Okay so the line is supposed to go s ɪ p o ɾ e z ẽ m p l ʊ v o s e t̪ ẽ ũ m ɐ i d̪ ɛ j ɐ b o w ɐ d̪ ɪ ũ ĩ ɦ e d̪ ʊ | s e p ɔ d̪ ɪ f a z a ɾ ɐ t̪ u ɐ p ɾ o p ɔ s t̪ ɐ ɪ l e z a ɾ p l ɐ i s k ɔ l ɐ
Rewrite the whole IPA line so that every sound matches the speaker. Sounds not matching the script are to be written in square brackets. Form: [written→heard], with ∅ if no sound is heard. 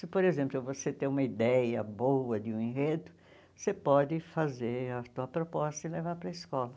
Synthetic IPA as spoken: s ɪ p o ɾ e z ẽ m p l ʊ v o s e t̪ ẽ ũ m ɐ i d̪ ɛ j ɐ b o w ɐ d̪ ɪ ũ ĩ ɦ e d̪ ʊ | s e p ɔ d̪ ɪ f a z [a→e] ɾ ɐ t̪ u ɐ p ɾ o p ɔ s t̪ ɐ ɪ l e [z→v] a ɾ p [l→ɾ] ɐ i s k ɔ l ɐ